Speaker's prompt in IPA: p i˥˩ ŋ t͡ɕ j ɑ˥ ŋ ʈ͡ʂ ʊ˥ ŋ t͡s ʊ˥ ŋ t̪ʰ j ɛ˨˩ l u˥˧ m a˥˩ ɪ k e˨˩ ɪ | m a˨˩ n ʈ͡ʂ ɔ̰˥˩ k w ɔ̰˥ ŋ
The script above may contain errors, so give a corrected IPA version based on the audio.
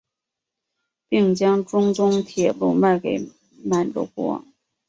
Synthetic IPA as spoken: p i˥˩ ŋ t͡ɕ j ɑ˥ ŋ ʈ͡ʂ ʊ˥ ŋ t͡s ʊ˥ ŋ t̪ʰ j ɛ˨˩ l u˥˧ m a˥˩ ɪ k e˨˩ ɪ | m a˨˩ n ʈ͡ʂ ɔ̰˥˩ k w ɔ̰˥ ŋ